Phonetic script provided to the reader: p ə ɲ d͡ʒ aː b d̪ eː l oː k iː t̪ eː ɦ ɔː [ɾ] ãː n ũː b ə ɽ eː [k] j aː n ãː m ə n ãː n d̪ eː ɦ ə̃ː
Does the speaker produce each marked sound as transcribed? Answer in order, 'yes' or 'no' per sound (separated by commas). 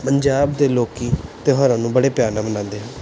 yes, no